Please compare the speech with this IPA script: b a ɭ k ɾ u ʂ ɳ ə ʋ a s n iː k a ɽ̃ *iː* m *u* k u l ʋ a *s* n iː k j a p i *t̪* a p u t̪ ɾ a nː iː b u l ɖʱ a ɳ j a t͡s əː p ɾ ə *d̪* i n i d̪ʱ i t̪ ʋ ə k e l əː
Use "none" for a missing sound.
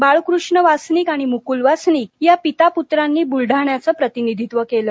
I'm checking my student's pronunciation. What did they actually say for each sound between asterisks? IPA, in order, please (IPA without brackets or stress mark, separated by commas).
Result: i, u, s, t̪, t̪